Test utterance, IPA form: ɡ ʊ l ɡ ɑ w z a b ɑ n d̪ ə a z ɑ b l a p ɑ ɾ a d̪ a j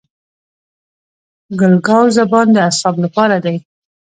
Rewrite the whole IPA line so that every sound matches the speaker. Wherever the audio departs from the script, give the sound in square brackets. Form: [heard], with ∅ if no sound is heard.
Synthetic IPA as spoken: ɡ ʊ l ɡ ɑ w z a b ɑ n d̪ ə a [s] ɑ b l a p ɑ ɾ a d̪ a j